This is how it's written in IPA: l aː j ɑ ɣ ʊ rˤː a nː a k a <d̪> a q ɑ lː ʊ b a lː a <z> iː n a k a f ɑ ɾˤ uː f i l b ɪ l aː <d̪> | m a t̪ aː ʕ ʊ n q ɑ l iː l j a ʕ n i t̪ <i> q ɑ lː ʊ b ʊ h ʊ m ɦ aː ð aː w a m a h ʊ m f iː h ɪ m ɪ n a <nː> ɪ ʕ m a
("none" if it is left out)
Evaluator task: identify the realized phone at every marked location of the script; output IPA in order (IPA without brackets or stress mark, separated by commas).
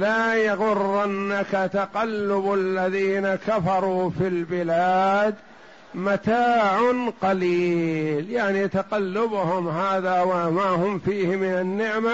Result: t̪, ð, d̪, a, nː